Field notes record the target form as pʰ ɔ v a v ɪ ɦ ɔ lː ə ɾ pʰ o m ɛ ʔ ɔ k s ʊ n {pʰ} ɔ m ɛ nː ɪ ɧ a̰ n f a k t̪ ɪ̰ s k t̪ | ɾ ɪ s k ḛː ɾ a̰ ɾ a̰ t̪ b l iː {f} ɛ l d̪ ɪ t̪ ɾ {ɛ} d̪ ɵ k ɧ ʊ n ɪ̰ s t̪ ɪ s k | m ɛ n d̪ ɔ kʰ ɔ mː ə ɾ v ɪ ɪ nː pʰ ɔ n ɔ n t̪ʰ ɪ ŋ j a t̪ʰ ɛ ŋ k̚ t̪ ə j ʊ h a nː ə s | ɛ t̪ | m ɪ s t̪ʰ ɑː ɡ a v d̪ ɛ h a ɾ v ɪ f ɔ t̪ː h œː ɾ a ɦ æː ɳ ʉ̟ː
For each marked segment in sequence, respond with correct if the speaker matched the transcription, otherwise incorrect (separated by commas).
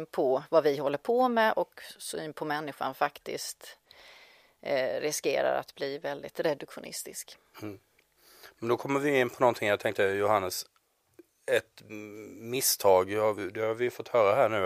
correct, incorrect, correct